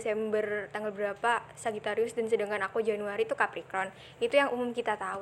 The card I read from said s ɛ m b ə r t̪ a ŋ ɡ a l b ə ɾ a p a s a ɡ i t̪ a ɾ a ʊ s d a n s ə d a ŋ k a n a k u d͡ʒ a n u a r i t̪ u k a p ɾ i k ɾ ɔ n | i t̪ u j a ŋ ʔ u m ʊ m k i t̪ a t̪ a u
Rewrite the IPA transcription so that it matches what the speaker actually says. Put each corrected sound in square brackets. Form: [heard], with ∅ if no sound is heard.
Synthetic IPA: s ɛ m b ə r t̪ a ŋ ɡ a l b ə ɾ a p a s a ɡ i t̪ a ɾ [i] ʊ s d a n s ə d a ŋ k a n a k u d͡ʒ a n u a [ɾ] i t̪ u k a p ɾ i k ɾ ɔ n | i t̪ u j a ŋ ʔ u m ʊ m k i t̪ a t̪ a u